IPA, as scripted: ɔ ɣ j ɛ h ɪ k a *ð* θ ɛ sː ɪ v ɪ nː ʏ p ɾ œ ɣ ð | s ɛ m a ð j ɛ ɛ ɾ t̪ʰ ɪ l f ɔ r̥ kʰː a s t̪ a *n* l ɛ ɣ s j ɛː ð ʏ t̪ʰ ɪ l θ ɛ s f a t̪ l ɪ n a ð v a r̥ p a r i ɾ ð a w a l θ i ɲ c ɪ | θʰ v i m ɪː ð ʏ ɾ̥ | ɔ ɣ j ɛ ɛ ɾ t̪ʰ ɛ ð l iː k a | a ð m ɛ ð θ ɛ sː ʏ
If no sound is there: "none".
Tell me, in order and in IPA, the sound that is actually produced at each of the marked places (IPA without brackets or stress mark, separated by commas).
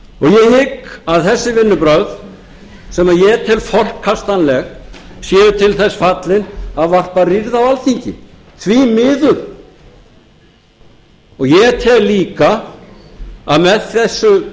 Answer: ð, n